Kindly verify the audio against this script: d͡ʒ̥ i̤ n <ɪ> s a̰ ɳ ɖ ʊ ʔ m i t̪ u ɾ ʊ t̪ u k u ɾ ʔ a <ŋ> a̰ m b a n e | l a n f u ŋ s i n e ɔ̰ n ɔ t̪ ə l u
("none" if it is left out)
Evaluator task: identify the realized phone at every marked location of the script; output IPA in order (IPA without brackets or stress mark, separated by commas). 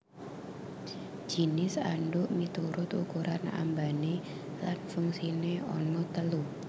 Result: ɪ, n